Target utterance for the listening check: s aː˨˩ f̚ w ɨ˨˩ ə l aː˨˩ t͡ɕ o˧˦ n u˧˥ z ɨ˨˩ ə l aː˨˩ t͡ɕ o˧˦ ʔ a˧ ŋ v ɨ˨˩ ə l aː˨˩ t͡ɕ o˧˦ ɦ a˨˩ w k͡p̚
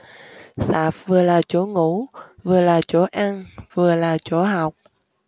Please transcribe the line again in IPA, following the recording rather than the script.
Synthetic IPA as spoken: s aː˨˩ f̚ v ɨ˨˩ ə l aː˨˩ t͡ɕ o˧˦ ŋ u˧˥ v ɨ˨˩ ə l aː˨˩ t͡ɕ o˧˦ ʔ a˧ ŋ v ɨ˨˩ ə l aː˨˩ t͡ɕ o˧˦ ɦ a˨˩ w k͡p̚